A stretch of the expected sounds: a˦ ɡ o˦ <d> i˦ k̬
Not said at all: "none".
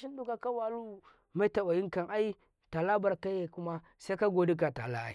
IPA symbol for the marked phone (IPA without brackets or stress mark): d